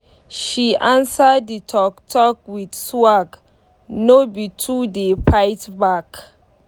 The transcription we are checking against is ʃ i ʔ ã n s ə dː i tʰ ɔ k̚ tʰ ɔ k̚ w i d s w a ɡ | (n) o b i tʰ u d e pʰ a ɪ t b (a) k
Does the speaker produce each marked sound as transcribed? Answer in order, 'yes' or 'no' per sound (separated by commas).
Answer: yes, yes